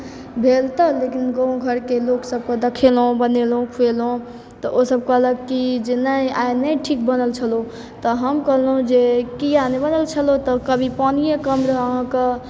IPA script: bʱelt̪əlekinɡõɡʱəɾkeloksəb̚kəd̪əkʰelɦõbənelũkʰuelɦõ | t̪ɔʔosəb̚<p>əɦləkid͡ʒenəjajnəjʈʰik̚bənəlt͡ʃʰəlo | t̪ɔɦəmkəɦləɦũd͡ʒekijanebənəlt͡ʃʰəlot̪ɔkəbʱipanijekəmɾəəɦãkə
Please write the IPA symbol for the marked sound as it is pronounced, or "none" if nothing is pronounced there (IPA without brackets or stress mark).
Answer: k